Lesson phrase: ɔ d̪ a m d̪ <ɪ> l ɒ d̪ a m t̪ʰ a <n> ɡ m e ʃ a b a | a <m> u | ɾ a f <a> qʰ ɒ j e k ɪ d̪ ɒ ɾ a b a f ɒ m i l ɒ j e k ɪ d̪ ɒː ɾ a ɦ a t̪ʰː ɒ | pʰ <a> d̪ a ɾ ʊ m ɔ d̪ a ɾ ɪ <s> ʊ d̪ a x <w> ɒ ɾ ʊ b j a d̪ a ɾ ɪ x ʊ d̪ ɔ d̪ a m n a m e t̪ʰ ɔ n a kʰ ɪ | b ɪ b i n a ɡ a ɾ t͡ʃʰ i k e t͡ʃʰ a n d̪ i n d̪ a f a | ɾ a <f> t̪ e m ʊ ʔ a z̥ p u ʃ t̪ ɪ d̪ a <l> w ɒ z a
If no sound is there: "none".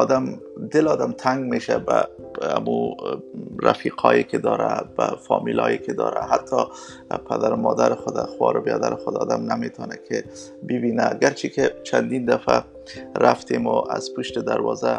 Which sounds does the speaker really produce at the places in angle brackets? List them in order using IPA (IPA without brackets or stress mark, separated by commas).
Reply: ɪ, ŋ, m, i, a, x, w, f, ɾ